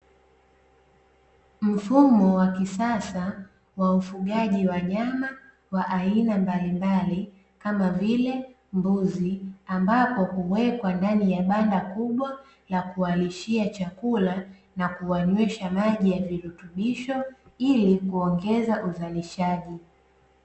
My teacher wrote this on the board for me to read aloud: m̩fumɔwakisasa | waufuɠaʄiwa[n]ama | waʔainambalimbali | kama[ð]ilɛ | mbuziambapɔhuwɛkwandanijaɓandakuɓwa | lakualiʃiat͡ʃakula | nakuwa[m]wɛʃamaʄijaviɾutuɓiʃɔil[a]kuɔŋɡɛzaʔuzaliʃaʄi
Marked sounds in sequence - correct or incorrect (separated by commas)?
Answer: incorrect, incorrect, incorrect, incorrect